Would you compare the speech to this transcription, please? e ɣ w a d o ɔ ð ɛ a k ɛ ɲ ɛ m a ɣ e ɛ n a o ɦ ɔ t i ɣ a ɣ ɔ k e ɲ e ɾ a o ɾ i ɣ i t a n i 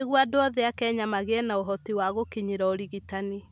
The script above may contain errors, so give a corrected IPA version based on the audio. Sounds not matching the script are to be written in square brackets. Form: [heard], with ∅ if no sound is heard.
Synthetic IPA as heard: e ɣ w a d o ɔ ð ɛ a k ɛ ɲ [a] m a ɣ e ɛ n a o ɦ ɔ t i [w] a ɣ [o] k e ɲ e ɾ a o ɾ i ɣ i t a n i

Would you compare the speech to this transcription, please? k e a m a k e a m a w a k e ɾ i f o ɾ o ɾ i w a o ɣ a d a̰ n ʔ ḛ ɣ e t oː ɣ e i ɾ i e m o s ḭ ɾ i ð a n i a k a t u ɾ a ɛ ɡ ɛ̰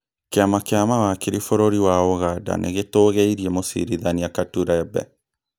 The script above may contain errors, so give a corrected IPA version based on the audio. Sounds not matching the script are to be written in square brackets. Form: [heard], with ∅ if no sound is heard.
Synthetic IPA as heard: k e a m a k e a m a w a k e ɾ i f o ɾ o ɾ i w a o ɣ a d a̰ n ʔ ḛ ɣ e t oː ɣ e i ɾ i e m o s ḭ ɾ i ð a n i a k a t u ɾ a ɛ [b] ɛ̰

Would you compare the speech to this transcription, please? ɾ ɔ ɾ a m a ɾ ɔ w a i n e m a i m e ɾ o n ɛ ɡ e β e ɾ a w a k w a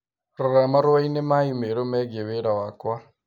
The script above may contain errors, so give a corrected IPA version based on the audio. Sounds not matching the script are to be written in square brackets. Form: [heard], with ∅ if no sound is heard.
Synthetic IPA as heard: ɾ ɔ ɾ a m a ɾ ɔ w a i n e m a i m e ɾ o [m] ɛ ɡ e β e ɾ a w a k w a

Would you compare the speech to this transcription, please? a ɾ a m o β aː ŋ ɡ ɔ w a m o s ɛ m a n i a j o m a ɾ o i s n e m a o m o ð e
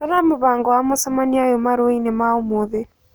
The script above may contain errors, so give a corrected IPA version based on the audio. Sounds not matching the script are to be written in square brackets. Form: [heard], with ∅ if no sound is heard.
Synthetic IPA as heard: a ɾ a m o β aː ŋ ɡ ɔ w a m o s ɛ m a n i a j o m a ɾ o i [∅] n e m a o m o ð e

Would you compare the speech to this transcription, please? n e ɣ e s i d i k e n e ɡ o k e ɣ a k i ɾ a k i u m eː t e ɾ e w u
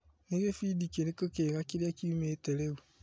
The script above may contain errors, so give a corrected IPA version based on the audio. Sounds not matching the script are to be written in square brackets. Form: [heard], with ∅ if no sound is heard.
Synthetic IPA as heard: n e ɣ e [f] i d i k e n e [k] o k e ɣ a k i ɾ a k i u m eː t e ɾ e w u

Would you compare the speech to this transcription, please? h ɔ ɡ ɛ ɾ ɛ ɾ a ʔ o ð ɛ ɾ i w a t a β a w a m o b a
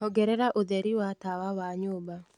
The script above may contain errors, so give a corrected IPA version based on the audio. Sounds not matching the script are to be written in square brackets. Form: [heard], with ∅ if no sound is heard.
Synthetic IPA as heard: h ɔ ɡ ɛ ɾ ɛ ɾ a ʔ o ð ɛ ɾ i w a t a [w] a w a [ɲ] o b a

